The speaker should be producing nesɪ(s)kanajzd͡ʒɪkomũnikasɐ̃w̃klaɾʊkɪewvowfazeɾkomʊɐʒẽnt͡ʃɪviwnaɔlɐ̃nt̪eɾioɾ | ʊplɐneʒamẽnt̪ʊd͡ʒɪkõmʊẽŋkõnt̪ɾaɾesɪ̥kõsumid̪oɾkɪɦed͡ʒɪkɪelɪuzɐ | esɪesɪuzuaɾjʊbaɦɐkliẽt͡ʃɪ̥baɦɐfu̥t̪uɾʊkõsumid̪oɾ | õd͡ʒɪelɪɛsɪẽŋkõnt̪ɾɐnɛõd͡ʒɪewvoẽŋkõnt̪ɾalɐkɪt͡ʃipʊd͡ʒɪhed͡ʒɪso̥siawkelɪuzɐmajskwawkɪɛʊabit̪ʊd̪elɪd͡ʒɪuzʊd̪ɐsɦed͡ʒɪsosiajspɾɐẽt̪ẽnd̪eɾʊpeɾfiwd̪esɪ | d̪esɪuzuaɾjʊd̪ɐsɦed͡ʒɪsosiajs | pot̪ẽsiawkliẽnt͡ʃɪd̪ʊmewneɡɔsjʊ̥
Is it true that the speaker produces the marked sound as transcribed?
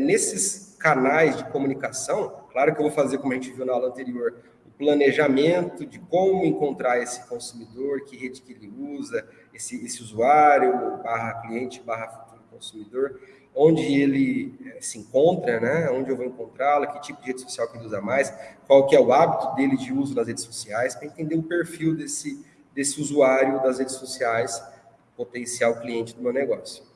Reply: yes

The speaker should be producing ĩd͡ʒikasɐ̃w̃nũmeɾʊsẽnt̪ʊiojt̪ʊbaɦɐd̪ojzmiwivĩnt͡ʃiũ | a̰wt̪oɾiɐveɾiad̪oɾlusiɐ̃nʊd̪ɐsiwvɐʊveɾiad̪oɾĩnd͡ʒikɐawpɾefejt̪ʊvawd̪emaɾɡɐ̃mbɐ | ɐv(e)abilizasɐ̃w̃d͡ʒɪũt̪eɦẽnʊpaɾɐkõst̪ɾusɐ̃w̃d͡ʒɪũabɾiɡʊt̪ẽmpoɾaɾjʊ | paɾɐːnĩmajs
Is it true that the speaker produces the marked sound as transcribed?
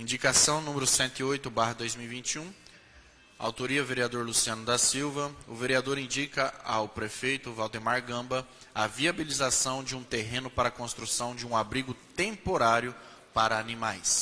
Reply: no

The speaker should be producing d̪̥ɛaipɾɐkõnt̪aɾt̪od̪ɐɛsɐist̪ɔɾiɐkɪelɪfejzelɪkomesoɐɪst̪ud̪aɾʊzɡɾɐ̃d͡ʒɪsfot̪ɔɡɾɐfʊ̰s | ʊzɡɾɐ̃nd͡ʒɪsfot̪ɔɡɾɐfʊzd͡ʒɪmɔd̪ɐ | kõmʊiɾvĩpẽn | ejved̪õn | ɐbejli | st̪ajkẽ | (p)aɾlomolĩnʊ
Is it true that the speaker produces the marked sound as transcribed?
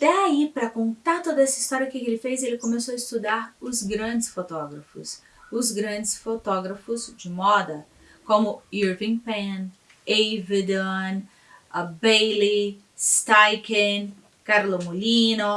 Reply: no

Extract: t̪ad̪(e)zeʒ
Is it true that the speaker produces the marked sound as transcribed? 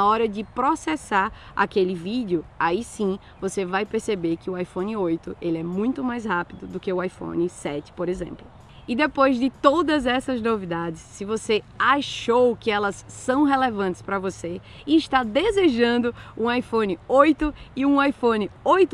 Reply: yes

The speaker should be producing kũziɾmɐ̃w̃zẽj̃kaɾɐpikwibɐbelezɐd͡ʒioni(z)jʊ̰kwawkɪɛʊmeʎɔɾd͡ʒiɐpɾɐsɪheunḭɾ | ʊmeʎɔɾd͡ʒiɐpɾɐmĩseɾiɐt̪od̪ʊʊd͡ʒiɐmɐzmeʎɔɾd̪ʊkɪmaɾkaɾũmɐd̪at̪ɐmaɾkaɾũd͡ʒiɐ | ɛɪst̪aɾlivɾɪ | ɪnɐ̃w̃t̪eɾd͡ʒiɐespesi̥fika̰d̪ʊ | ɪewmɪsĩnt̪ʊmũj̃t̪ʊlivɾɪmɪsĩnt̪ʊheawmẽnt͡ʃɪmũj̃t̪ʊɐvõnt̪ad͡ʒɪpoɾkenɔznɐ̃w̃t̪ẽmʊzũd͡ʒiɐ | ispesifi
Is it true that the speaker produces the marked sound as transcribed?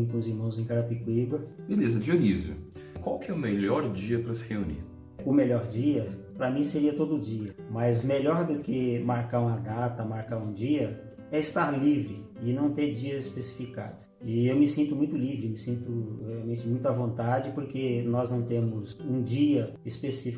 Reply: yes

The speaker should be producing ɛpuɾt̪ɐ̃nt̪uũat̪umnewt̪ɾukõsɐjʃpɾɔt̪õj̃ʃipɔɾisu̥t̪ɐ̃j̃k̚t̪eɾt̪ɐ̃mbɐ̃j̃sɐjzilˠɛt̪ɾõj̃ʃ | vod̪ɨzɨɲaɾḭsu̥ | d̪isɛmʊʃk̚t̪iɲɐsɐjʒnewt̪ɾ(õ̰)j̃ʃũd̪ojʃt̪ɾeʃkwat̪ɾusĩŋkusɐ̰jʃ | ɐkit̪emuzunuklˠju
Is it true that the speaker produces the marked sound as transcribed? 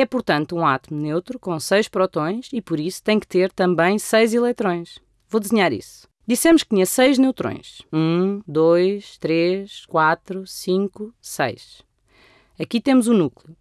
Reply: yes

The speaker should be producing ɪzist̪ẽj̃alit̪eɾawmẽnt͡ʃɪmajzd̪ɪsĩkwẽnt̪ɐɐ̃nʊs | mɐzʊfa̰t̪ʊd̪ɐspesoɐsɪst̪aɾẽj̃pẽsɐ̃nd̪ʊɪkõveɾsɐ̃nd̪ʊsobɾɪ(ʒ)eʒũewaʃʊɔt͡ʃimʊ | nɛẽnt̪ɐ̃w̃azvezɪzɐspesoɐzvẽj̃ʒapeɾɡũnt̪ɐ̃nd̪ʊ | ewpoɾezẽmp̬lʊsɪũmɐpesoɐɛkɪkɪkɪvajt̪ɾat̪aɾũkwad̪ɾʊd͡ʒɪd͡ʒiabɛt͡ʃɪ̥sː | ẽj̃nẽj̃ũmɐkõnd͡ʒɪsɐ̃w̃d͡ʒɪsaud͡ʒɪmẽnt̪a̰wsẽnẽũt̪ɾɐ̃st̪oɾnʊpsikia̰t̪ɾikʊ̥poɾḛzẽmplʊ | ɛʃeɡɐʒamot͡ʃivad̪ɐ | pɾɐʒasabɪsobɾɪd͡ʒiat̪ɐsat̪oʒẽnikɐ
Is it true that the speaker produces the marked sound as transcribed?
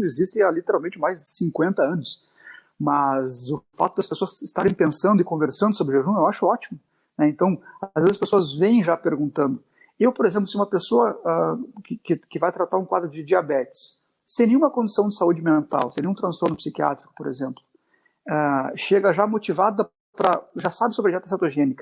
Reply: yes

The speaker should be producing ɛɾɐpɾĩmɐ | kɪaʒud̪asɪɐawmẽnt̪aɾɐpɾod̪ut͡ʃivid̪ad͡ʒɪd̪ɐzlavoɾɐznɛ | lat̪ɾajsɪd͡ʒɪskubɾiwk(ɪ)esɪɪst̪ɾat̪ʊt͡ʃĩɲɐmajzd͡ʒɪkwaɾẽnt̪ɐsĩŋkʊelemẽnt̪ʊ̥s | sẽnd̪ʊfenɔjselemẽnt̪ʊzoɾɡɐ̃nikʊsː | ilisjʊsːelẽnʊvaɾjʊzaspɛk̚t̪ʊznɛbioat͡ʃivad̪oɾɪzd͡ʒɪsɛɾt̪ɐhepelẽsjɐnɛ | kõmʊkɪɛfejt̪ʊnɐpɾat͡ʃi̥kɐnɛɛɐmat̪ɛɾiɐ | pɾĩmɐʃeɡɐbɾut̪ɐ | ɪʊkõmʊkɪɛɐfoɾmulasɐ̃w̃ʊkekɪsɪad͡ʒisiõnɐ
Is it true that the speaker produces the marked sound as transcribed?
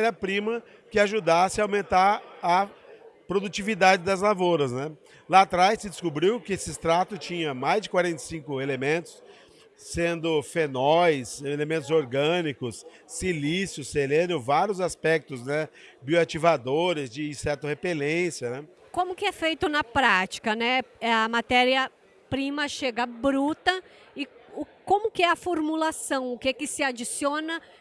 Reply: yes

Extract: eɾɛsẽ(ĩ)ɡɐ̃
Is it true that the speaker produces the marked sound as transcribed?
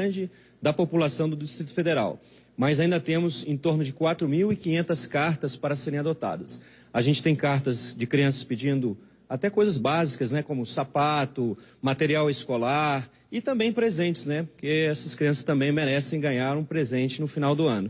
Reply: no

